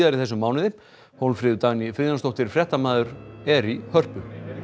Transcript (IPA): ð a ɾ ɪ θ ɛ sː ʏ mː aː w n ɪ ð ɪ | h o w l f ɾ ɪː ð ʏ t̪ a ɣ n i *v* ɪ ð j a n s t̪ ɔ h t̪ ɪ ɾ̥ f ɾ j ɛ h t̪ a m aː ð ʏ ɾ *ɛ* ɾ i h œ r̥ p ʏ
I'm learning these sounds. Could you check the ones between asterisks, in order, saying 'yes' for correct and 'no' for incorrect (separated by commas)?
no, yes